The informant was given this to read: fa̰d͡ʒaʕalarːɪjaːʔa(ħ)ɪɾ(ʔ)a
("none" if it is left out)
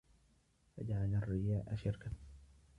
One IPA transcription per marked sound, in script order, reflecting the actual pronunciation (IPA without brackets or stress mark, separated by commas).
ʃ, k